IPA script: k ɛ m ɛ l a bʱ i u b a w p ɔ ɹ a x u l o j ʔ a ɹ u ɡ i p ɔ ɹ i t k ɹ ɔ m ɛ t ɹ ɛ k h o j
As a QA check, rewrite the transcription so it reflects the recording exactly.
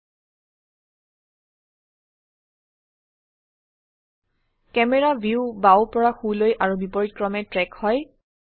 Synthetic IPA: k ɛ m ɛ ɹ a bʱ i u b a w p ɔ ɹ a x u l o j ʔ a ɹ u b i p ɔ ɹ i t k ɹ ɔ m ɛ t ɹ ɛ k h ɔ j